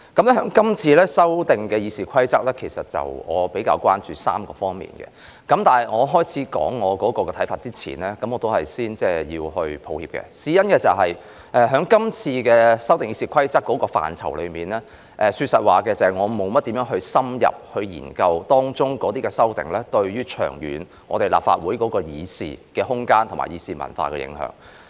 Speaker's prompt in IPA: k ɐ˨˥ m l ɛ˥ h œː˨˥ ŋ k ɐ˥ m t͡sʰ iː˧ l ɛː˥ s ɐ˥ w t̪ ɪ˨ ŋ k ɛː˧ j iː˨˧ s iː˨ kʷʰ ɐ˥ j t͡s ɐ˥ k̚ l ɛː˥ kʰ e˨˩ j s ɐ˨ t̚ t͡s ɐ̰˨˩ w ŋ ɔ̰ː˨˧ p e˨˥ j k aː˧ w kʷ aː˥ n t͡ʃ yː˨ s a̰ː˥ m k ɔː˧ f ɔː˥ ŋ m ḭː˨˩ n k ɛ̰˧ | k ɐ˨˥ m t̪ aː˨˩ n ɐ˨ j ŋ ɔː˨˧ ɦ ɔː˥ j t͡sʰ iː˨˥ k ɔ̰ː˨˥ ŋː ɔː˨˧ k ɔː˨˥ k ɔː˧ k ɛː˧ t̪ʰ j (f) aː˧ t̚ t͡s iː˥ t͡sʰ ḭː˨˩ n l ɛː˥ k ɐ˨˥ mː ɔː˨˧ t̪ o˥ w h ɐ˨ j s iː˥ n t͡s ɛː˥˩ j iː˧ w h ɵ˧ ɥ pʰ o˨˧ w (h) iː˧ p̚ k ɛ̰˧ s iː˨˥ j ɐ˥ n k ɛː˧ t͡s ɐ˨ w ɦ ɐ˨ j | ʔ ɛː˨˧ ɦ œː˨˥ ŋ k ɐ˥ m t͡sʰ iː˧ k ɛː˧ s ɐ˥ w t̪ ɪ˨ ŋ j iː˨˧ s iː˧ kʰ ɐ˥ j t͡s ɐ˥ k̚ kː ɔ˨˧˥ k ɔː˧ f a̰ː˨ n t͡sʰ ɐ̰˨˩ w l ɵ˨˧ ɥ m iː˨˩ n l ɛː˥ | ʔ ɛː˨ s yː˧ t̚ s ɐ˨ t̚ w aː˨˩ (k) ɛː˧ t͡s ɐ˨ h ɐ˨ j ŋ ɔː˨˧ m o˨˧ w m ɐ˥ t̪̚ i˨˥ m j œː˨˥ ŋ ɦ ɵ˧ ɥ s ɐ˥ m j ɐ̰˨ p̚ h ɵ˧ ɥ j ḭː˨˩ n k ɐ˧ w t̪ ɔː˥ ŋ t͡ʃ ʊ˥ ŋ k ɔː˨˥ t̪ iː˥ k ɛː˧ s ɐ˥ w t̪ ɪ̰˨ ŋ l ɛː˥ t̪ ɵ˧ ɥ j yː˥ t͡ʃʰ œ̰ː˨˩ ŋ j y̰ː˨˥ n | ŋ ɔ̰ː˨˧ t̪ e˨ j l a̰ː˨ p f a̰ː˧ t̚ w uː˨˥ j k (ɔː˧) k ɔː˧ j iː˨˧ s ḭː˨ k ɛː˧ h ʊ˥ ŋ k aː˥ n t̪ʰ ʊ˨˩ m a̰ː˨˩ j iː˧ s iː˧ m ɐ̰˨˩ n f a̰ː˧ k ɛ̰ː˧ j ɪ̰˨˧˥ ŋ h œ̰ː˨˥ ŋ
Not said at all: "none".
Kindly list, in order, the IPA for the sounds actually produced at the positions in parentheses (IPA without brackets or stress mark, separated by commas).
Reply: f, h, k, ɔː˨˥